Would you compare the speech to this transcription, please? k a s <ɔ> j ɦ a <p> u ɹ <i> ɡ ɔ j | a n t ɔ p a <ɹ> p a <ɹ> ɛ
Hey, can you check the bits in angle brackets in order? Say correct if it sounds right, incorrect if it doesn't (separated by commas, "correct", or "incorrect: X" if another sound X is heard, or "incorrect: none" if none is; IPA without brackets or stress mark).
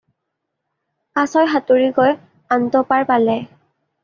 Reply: correct, incorrect: t, correct, correct, incorrect: l